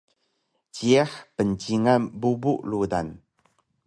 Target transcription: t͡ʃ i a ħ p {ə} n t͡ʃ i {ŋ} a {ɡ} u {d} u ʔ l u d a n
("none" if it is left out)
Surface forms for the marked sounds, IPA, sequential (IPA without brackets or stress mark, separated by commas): ə, ŋ, b, b